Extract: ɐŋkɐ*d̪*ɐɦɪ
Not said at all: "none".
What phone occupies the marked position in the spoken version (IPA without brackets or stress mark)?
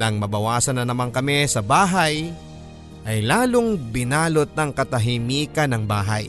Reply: t̪